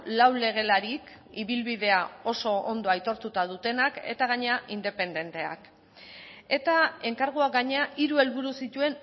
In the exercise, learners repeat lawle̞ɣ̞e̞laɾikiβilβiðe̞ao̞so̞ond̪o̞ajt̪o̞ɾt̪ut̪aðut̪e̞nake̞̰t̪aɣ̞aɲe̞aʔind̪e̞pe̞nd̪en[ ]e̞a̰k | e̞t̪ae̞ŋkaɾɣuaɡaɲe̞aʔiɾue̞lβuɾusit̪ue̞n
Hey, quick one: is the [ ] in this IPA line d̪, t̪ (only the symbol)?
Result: t̪